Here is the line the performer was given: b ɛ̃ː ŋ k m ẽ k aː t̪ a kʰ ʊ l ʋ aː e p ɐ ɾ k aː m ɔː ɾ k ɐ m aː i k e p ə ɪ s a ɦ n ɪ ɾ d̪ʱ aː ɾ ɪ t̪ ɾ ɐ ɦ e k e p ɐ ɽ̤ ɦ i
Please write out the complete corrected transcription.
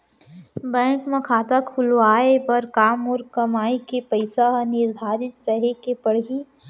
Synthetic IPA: b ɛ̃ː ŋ k m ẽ kʰ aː t̪ a kʰ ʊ l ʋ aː e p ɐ ɾ k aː m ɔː ɾ k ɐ m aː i k e p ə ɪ s a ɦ n ɪ ɾ d̪ʱ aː ɾ ɪ t̪ ɾ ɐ ɦ e k e p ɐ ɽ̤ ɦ i